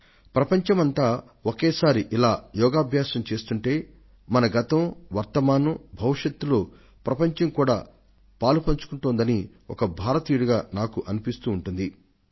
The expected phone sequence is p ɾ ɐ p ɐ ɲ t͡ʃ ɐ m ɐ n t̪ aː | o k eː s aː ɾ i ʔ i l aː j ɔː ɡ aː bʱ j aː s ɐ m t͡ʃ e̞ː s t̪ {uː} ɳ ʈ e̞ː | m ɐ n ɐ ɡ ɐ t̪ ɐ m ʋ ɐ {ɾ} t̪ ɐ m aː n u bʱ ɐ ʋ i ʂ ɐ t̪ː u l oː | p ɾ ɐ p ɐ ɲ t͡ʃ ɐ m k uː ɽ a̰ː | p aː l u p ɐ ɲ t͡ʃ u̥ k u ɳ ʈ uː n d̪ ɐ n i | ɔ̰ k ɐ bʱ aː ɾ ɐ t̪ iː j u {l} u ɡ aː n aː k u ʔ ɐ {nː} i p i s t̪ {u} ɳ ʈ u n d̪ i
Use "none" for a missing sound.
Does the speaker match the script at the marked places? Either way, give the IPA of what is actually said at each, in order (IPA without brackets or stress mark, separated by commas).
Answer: u, ɾ, ɽ, n, uː